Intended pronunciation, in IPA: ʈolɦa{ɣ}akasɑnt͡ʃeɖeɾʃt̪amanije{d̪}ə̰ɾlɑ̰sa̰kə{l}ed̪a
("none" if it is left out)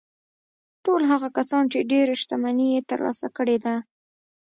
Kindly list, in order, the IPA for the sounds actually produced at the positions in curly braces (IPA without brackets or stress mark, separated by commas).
ɣ, t̪, ɽ